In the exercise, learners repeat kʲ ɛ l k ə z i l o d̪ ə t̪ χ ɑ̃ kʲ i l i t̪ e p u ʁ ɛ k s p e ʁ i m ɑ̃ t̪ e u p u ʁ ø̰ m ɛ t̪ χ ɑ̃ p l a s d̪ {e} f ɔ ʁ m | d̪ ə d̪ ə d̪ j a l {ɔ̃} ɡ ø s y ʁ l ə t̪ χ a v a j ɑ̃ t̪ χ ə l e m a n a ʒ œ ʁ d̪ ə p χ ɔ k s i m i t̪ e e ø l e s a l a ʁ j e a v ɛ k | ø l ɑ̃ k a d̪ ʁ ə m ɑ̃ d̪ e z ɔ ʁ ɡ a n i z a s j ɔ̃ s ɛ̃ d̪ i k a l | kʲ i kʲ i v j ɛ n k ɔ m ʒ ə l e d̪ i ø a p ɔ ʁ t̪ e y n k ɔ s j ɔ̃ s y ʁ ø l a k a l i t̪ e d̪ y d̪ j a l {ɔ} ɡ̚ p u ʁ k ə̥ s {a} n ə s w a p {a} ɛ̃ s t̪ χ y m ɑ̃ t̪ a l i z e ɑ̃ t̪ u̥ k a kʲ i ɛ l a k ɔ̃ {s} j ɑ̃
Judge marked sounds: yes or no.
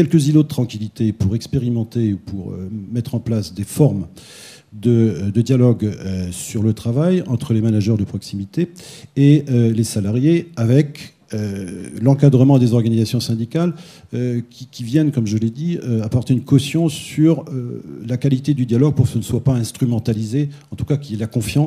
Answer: yes, no, yes, no, yes, no

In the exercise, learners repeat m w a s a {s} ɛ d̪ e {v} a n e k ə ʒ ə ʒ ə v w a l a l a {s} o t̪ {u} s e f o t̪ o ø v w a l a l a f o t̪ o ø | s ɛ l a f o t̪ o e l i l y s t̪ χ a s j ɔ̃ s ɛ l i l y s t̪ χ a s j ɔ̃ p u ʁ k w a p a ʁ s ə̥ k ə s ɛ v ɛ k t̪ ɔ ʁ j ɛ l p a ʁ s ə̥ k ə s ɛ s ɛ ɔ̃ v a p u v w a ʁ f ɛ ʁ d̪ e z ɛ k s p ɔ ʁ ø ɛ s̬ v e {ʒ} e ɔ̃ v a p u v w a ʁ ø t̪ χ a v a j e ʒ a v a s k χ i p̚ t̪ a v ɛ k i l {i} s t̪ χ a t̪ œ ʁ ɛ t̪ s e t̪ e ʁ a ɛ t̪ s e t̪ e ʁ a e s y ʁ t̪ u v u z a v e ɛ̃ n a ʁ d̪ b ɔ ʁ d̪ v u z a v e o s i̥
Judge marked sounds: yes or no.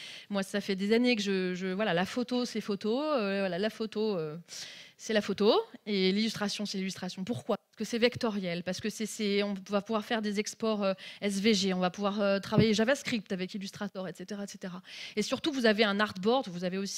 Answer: no, no, no, no, yes, no

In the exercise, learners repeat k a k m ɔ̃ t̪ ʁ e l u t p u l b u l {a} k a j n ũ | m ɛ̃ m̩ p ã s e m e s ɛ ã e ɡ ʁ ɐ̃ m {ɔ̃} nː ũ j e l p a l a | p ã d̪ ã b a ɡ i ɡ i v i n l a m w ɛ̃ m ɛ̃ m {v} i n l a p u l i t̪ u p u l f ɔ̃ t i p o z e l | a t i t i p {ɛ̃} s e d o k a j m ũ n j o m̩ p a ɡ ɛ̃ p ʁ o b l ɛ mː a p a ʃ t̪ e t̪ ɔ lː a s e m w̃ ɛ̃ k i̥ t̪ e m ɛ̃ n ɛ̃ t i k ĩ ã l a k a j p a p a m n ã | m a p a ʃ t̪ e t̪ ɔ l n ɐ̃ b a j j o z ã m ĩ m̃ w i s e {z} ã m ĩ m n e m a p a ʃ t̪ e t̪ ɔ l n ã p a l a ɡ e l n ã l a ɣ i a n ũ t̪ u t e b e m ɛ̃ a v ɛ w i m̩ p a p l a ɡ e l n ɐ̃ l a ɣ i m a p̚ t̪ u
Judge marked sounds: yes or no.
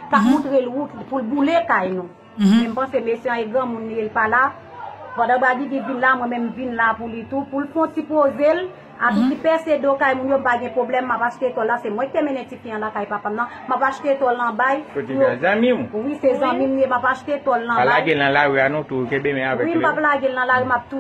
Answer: no, no, yes, no, yes

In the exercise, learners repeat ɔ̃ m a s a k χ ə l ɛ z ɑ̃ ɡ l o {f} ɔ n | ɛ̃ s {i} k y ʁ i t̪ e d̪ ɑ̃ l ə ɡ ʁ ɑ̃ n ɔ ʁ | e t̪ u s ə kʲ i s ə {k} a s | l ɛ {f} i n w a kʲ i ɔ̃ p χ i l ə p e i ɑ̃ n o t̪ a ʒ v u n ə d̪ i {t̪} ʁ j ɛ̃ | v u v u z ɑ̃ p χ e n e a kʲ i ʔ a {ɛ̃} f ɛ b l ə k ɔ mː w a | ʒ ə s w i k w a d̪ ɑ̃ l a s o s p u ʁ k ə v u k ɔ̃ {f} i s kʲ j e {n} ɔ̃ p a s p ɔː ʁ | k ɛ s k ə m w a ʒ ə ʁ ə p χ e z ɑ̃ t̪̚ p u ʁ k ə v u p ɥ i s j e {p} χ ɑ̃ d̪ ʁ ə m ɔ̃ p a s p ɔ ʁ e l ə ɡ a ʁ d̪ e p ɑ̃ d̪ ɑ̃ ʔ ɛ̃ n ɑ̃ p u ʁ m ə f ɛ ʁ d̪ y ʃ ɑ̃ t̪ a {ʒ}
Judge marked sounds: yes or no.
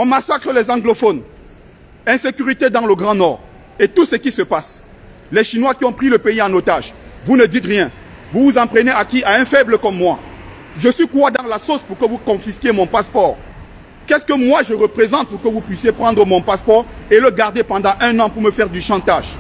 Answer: yes, no, no, no, yes, yes, yes, no, yes, yes

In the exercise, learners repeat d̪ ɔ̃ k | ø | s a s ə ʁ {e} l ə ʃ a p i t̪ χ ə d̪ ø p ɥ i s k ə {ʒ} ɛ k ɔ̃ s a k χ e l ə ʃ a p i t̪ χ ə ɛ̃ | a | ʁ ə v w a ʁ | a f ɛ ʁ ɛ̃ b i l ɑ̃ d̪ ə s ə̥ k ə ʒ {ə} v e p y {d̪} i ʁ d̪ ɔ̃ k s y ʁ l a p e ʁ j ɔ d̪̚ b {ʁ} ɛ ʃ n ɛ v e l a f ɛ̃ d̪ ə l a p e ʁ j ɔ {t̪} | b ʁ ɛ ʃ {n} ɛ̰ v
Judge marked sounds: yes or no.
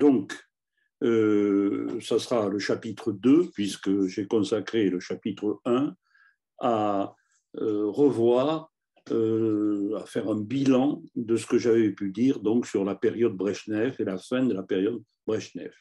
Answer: no, yes, no, yes, yes, no, yes

